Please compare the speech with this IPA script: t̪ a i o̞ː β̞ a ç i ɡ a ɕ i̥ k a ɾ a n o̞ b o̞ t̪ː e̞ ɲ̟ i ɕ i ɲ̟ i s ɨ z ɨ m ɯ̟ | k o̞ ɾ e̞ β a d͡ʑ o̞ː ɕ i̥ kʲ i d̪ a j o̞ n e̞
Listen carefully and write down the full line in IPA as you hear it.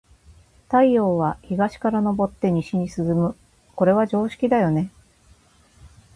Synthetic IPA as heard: t̪ a i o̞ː β̞ a ç i ɡ a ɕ i̥ k a ɾ a n o̞ b o̞ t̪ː e̞ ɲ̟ i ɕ i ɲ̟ i s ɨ z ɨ m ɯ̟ | k o̞ ɾ e̞ β a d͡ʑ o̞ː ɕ i̥ kʲ i d̪ a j o̞ n e̞